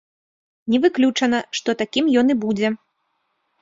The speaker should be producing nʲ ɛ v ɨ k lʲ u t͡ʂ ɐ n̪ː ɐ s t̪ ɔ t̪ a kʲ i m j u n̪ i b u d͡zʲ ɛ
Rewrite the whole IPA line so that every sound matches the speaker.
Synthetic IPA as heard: nʲ ɛ v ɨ k lʲ u t͡ʂ ɐ n̪ ɐ ʂ t̪ ɔ t̪ a kʲ i m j ɔ n̪ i b u d͡zʲ ɛ